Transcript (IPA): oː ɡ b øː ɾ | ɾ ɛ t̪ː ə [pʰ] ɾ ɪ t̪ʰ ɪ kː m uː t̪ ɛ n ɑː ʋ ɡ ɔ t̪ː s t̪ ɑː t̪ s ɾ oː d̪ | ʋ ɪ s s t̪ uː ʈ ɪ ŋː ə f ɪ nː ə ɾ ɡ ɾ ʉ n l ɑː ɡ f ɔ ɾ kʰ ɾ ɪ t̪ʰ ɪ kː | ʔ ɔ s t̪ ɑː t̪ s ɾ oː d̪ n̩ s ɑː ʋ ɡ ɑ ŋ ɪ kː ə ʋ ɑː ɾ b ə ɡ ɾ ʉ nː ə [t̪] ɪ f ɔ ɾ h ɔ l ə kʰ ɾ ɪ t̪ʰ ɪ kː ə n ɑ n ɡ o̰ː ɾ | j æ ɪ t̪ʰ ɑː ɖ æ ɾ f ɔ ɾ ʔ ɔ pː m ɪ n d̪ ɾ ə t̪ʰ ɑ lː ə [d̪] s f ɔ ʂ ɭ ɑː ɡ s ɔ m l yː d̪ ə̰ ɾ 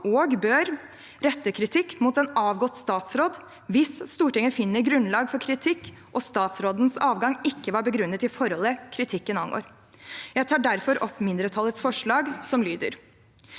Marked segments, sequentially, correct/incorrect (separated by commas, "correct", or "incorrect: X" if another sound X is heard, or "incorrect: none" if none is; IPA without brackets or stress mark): incorrect: kʰ, correct, incorrect: t̪